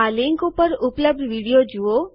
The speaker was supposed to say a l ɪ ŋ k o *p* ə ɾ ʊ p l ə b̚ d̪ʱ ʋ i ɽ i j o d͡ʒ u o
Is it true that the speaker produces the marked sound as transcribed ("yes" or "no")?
yes